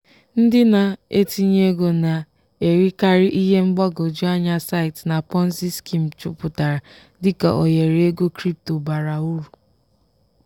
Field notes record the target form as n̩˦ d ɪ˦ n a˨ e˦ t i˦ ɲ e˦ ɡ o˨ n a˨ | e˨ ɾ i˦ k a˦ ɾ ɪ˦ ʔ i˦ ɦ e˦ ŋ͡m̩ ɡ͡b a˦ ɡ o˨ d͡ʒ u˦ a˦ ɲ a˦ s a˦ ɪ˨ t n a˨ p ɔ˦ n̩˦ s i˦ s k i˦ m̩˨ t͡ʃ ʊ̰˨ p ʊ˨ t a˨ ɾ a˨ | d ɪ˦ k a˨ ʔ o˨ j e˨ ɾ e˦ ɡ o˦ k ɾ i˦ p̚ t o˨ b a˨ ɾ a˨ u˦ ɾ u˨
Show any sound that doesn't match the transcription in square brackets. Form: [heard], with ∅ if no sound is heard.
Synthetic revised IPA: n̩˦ d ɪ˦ n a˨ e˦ t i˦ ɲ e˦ ɡ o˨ n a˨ | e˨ ɾ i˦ k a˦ ɾ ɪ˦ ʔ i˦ ɦ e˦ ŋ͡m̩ ɡ͡b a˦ ɡ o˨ d͡ʒ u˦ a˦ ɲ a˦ s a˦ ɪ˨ t n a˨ p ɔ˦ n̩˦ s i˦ s k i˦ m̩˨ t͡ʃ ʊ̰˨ p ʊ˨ t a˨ ɾ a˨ | d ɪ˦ k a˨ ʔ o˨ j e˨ ɾ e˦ ɡ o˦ k ɾ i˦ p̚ t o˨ b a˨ ɾ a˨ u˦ ɾ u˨

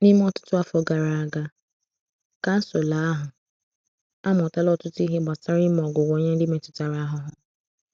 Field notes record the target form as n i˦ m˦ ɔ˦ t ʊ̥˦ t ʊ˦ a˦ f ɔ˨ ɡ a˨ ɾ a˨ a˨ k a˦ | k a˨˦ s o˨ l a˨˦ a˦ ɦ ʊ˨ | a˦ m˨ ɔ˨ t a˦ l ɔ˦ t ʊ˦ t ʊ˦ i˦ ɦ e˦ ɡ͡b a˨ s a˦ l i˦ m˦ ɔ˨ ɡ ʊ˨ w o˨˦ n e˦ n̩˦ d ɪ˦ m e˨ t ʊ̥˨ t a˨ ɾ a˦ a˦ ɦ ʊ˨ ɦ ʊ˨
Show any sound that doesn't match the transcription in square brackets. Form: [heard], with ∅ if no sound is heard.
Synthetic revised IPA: n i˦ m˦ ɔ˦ t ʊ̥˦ t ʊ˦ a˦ f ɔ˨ ɡ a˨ ɾ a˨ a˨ [ɡ] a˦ | k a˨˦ s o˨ l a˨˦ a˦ ɦ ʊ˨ | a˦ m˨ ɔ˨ t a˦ l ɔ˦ t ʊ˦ t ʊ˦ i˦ ɦ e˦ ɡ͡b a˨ s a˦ [ɾ] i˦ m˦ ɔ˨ ɡ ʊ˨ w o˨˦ [ɲ] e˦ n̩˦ d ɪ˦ m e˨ t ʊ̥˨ t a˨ ɾ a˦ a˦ ɦ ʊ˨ ɦ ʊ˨

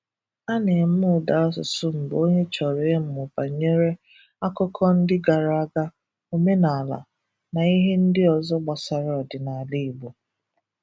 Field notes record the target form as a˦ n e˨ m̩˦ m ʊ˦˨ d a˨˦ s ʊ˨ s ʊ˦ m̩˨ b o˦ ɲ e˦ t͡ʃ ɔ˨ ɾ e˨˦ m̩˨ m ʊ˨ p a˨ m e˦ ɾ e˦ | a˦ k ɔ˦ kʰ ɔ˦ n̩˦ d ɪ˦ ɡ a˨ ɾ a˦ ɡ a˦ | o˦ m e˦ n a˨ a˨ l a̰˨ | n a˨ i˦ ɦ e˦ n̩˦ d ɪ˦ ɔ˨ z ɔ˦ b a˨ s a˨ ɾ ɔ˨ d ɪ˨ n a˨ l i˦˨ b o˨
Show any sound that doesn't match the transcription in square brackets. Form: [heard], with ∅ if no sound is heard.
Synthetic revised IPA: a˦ n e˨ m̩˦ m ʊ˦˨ d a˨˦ s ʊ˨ s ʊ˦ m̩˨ b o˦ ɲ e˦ t͡ʃ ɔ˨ ɾ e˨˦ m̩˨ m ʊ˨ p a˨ [ɲ] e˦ ɾ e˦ | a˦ k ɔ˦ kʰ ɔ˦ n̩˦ d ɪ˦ ɡ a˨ ɾ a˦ ɡ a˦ | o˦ m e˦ n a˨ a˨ l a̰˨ | n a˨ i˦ ɦ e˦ n̩˦ d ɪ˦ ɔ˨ z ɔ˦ [ɡ͡b] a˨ s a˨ ɾ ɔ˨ d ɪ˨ n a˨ l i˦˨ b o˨

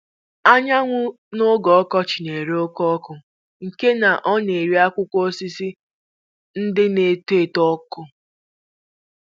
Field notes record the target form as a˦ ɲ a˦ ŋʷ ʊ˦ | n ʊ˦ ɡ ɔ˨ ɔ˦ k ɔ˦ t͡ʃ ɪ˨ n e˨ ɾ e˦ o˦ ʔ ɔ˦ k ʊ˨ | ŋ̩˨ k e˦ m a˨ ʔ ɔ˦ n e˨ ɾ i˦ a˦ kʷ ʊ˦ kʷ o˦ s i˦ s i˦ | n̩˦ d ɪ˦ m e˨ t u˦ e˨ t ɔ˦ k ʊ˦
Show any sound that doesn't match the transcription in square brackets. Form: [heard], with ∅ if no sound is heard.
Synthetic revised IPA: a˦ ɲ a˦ ŋʷ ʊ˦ | n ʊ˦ ɡ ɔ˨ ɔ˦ k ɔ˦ t͡ʃ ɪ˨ n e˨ ɾ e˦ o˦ [k] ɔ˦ k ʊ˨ | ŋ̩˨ k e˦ [n] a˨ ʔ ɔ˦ n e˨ ɾ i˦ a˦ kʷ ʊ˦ kʷ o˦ s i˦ s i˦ | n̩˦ d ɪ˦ [n] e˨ t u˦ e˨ t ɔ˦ k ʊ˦

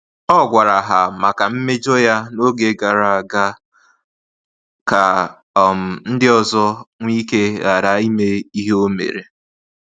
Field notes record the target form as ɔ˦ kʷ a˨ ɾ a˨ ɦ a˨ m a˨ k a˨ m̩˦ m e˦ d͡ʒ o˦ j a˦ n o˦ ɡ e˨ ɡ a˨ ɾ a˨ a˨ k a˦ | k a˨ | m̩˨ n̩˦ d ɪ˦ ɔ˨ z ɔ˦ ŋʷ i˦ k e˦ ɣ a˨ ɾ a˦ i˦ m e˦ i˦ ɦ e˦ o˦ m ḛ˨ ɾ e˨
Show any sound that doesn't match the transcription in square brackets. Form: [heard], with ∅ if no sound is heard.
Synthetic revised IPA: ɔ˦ [ɡʷ] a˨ ɾ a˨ ɦ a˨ m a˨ k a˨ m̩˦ m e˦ d͡ʒ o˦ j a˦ n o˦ ɡ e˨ ɡ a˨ ɾ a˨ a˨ [ɡ] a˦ | k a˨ | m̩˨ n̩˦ d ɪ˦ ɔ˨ z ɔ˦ ŋʷ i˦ k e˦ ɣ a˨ ɾ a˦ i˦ m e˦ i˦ ɦ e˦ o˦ m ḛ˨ ɾ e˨

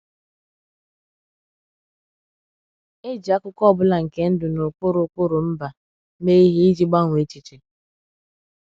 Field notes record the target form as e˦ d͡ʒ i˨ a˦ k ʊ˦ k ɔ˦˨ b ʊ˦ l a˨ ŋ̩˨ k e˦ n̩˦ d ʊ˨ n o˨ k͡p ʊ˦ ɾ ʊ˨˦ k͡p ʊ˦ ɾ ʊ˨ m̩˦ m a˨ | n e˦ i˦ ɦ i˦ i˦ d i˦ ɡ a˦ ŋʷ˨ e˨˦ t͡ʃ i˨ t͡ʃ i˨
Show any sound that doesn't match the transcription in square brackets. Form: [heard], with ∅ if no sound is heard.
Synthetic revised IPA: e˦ d͡ʒ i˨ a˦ k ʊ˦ k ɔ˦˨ b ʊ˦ l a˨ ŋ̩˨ k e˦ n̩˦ d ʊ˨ n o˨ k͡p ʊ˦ ɾ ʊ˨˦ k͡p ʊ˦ ɾ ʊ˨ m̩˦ [b] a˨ | [m] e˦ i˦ ɦ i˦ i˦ [d͡ʒ] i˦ [ɡ͡b] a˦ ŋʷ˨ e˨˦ t͡ʃ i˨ t͡ʃ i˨

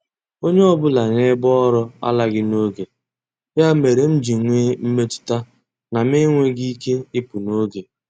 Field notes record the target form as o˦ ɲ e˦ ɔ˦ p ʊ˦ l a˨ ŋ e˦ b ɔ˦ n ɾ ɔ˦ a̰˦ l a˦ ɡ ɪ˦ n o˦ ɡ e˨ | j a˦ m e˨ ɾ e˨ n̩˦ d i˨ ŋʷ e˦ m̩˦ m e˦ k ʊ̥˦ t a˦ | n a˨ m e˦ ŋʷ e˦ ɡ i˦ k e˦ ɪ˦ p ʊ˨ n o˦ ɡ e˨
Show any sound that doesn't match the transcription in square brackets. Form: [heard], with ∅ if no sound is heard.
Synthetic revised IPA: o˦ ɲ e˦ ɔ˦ [b] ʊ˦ l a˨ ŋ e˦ b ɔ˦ [∅] ɾ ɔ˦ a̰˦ l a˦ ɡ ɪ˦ n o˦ ɡ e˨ | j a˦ m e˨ ɾ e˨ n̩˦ [d͡ʒ] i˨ ŋʷ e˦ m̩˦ m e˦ [t] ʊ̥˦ t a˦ | n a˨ m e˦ ŋʷ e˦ ɡ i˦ k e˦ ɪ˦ p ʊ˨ n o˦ ɡ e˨

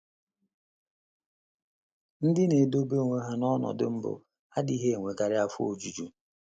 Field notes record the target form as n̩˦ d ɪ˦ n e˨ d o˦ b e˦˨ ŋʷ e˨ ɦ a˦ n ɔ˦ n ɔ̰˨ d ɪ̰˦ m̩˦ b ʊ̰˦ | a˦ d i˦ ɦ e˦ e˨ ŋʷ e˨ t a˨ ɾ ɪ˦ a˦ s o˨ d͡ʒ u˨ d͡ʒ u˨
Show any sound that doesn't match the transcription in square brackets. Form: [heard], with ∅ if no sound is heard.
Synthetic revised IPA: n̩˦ d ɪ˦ n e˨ d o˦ b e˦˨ ŋʷ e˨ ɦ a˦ n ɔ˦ n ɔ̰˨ d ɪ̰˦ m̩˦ b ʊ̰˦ | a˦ d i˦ ɦ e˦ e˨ ŋʷ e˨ [k] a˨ ɾ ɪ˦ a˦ [f] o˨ d͡ʒ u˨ d͡ʒ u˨

